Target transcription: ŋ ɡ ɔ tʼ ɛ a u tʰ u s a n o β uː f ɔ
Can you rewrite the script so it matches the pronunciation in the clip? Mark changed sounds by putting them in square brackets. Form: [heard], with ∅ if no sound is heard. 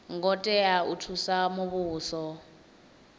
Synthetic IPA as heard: ŋ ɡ ɔ tʼ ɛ a u tʰ u s a [m] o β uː [s] ɔ